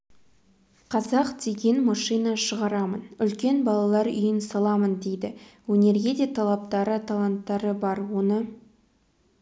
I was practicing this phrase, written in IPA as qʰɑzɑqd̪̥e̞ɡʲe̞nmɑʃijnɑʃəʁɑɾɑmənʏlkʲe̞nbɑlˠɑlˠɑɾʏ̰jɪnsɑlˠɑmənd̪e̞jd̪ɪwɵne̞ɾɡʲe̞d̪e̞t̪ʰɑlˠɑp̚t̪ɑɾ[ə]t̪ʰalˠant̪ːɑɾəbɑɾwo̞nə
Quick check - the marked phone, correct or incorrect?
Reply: correct